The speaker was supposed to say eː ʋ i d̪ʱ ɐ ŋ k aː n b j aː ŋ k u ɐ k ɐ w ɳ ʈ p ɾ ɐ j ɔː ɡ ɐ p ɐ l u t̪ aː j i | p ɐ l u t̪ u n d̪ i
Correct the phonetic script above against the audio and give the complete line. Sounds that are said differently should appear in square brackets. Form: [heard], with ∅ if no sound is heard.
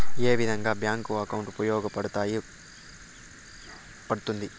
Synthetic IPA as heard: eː ʋ i d̪ʱ ɐ ŋ [ɡ] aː [∅] b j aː ŋ k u ɐ k ɐ w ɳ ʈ p ɾ ɐ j ɔː ɡ ɐ p ɐ [ɽ] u t̪ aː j i | p ɐ [ɽ] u t̪ u n d̪ i